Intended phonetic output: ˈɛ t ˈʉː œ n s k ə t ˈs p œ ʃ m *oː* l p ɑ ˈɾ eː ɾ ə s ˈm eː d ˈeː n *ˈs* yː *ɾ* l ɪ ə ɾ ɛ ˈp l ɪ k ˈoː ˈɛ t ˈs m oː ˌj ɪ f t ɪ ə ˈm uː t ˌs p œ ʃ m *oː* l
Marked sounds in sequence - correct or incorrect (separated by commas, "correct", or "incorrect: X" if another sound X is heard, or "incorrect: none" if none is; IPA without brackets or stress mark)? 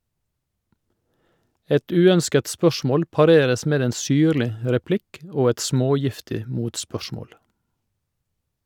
correct, correct, correct, correct